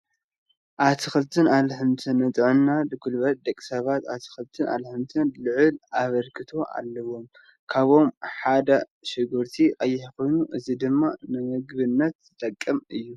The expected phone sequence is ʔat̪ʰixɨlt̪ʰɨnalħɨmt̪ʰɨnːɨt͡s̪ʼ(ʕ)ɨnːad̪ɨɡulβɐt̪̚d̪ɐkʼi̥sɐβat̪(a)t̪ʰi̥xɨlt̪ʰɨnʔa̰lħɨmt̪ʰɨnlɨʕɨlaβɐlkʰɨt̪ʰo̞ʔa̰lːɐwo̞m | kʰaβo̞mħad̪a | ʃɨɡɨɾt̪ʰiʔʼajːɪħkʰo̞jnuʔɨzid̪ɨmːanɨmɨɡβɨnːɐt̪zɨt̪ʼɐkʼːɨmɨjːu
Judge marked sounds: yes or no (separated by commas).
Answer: yes, yes